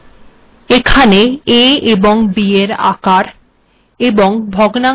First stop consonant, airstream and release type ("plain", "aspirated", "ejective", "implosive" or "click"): aspirated